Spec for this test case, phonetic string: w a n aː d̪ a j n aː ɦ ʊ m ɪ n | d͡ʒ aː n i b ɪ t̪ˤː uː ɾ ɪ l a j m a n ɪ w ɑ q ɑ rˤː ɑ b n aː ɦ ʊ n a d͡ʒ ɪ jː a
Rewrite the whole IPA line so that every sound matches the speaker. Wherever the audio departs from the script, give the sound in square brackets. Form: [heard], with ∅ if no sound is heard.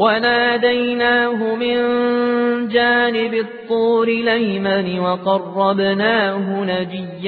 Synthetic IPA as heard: w a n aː d̪ a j n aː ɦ ʊ m ɪ n | d͡ʒ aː n [ɪ] b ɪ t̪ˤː uː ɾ ɪ l a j m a n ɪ w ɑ q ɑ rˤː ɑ b n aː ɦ ʊ n a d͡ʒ ɪ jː a